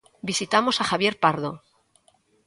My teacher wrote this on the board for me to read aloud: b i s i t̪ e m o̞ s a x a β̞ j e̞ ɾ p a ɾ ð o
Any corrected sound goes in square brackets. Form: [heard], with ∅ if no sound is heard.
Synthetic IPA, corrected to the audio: b i s i t̪ [a] m o̞ s a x a β̞ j e̞ ɾ p a ɾ ð o